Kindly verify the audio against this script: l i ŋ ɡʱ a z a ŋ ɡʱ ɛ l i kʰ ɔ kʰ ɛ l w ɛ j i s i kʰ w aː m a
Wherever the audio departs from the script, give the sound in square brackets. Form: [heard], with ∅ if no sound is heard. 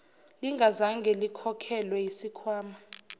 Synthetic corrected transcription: l i ŋ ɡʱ a z a ŋ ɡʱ ɛ l i kʰ ɔ kʰ ɛ l w ɛ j i s i kʰ w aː m a